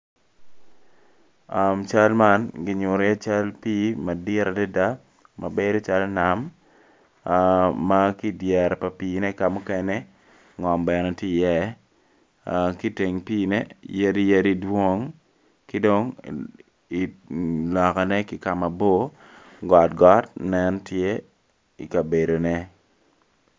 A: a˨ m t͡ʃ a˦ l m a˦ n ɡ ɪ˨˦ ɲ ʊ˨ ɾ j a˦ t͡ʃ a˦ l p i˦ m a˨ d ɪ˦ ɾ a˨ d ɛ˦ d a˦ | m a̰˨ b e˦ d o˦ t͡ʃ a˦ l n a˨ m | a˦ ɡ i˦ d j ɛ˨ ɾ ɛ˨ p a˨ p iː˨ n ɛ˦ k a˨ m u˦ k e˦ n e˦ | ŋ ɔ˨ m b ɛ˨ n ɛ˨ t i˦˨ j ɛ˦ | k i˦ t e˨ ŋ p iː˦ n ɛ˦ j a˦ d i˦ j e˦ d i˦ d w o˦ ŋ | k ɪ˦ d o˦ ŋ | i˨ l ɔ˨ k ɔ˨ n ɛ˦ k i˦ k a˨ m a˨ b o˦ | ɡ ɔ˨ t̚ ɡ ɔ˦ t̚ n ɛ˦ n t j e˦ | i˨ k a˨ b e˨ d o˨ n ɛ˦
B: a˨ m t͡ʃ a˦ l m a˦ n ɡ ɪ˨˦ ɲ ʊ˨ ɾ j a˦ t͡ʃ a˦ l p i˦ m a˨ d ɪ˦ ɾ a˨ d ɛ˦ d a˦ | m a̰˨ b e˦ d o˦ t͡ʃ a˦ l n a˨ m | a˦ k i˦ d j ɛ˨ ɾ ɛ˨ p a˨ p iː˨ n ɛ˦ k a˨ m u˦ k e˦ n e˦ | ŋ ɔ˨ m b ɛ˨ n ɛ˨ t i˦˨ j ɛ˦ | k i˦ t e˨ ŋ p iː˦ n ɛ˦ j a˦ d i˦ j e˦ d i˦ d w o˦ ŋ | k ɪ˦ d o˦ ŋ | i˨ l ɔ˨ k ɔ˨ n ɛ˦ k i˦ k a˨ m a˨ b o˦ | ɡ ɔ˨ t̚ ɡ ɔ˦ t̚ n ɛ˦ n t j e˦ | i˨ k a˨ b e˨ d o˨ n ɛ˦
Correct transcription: B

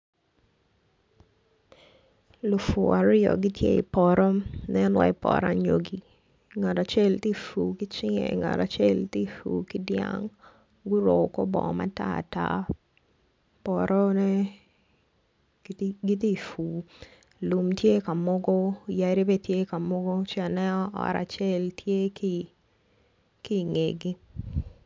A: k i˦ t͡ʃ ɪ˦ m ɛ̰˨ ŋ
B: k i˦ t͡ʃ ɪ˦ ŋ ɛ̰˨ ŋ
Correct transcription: B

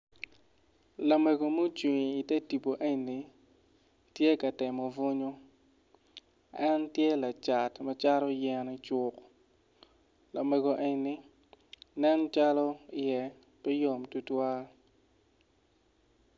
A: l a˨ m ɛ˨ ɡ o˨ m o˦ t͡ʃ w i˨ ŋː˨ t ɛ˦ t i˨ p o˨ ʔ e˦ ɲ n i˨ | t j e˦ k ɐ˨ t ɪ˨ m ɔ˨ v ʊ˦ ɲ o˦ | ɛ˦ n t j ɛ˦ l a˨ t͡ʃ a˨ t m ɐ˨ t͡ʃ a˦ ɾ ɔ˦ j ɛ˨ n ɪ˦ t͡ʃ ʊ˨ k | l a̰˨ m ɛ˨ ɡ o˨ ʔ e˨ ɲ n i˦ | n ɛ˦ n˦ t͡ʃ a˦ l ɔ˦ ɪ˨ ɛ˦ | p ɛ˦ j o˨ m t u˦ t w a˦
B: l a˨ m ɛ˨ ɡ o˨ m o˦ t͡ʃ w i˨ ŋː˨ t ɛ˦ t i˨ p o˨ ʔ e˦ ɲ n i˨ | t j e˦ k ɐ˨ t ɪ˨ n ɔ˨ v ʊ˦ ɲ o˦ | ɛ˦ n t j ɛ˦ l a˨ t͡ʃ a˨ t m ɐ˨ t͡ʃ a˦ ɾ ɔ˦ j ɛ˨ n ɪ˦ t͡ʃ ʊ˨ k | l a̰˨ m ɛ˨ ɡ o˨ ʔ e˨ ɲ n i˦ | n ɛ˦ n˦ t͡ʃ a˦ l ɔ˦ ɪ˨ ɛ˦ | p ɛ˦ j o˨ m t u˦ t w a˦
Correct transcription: A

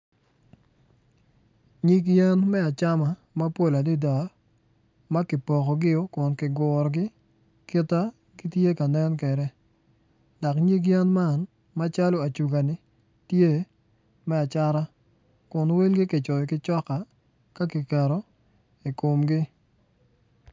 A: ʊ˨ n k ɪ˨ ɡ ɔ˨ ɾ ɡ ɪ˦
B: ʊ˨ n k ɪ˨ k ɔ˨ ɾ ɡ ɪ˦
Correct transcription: A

